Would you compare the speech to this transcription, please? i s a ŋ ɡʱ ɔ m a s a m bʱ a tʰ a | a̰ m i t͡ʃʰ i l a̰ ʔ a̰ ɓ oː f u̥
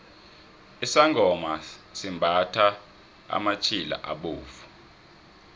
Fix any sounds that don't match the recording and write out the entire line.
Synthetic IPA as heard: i s a ŋ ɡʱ ɔ m a s i m bʱ a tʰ a | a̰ m a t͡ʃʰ i l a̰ ʔ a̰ ɓ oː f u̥